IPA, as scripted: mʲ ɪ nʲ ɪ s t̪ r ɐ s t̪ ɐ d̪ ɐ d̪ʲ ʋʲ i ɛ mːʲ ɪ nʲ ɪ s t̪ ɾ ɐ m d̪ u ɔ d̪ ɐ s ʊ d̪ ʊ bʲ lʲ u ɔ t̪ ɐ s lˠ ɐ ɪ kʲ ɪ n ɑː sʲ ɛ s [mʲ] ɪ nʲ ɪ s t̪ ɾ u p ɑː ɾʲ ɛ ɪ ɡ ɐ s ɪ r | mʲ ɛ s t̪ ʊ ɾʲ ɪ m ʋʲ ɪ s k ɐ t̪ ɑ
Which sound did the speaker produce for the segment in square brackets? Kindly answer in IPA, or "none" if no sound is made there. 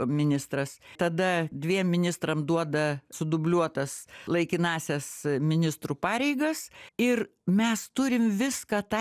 mʲ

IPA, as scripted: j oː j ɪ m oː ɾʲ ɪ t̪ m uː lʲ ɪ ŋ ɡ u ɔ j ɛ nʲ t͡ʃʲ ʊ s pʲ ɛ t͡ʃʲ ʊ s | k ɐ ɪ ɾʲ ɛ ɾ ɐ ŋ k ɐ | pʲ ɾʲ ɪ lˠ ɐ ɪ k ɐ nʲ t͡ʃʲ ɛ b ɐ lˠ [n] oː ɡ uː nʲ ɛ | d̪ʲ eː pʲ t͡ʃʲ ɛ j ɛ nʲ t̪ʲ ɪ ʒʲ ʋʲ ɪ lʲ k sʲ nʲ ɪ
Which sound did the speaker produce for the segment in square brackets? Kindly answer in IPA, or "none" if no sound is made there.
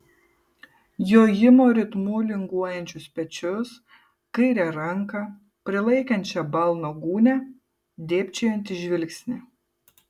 n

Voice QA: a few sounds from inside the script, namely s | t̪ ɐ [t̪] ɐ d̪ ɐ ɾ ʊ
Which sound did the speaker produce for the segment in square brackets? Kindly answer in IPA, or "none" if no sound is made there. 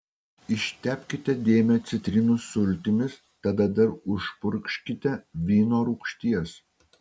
d̪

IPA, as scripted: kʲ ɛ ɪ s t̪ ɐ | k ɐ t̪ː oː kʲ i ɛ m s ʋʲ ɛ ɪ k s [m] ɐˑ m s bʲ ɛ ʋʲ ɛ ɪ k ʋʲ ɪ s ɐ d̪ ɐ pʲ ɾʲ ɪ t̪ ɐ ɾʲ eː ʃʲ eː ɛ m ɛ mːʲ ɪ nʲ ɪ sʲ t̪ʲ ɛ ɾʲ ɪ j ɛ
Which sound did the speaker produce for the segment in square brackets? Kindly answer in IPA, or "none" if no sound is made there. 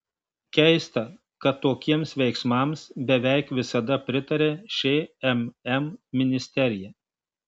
m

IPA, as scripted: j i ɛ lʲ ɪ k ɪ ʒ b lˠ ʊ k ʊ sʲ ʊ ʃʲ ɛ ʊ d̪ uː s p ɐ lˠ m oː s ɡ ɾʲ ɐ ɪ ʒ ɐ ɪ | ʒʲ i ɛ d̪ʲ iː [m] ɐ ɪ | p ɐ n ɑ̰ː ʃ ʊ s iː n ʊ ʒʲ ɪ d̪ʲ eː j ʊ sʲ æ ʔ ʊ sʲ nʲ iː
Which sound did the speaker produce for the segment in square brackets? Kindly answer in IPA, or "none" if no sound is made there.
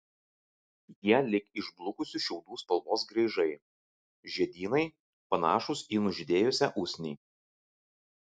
n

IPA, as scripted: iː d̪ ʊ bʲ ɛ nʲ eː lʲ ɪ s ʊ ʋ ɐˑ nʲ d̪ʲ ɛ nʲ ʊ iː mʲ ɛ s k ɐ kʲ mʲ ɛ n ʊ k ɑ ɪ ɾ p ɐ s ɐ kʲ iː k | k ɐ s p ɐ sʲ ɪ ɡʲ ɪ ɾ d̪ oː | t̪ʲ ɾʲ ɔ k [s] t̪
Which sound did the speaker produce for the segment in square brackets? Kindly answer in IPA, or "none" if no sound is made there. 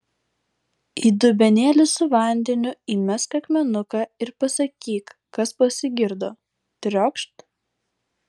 ʃ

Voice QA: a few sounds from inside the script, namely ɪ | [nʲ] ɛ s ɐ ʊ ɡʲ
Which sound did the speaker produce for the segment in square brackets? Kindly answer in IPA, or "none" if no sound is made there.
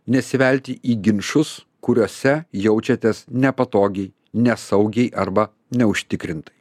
nʲ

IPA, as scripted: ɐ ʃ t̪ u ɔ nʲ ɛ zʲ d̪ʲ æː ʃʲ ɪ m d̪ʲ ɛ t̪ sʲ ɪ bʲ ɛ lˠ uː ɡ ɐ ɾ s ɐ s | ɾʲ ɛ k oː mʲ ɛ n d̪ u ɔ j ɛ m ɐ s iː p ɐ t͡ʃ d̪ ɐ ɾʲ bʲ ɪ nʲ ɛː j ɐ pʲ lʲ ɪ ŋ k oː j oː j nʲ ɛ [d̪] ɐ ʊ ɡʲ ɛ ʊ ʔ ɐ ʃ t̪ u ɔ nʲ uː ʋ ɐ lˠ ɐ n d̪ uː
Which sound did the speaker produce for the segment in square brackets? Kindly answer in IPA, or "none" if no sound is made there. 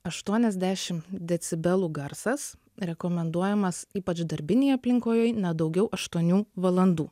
d̪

